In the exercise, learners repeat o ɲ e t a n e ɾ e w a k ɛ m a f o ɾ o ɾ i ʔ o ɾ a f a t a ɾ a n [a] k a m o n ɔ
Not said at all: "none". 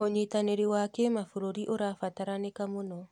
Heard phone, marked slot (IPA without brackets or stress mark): e